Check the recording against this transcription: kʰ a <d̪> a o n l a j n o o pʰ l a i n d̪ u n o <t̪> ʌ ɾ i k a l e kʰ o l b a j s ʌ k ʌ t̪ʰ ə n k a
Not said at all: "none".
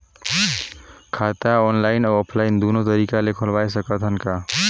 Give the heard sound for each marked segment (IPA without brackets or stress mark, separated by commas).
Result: t̪, t̪